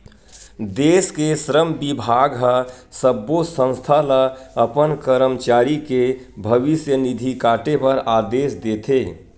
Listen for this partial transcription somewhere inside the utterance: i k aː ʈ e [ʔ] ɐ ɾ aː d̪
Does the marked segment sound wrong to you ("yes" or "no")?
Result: yes